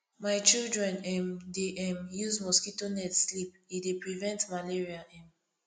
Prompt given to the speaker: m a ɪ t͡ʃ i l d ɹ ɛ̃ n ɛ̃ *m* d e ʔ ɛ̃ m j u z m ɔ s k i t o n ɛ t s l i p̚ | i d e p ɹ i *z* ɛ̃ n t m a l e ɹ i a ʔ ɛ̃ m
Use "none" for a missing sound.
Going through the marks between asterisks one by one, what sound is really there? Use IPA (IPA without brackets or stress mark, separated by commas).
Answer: m, v